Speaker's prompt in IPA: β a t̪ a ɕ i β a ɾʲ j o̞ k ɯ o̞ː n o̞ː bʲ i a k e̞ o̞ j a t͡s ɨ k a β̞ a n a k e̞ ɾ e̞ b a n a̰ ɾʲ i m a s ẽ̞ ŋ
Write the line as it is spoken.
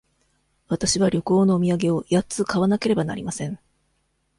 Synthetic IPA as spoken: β a t̪ a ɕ i β a ɾʲ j o̞ k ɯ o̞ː n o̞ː mʲ i a ɡ e̞ o̞ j a t͡s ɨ k a β̞ a n a k e̞ ɾ e̞ b a n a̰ ɾʲ i m a s ẽ̞ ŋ